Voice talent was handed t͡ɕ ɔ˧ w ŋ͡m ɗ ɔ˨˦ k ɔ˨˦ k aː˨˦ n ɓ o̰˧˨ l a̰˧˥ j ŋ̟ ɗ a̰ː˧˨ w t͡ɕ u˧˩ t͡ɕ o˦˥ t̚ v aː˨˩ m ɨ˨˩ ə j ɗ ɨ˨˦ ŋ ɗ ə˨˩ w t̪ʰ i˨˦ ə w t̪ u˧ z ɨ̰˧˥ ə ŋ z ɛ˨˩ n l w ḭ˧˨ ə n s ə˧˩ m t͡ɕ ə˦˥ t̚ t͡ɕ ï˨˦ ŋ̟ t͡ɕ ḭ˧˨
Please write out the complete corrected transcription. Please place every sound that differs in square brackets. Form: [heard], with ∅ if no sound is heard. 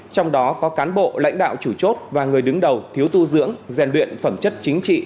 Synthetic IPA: t͡ɕ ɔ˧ w ŋ͡m ɗ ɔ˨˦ k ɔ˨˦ k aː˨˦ n ɓ o̰˧˨ l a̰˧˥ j ŋ̟ ɗ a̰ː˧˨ w t͡ɕ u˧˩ t͡ɕ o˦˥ t̚ v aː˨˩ [ŋ] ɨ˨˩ ə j ɗ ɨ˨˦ ŋ ɗ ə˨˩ w t̪ʰ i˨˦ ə w t̪ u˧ z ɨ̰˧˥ ə ŋ z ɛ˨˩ n l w ḭ˧˨ ə n [f] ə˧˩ m t͡ɕ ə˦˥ t̚ t͡ɕ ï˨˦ ŋ̟ t͡ɕ ḭ˧˨